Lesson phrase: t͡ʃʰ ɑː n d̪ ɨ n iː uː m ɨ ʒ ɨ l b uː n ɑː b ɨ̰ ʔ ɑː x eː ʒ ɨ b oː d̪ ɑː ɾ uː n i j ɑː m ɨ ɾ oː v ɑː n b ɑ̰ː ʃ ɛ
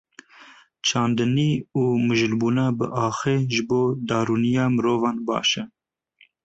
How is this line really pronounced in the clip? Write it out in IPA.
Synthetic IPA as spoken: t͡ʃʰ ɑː n d̪ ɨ n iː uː m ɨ ʒ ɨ l b uː n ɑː b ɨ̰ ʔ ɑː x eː ʒ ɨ b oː d̪ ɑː ɾ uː n i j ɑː m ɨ ɾ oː v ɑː n b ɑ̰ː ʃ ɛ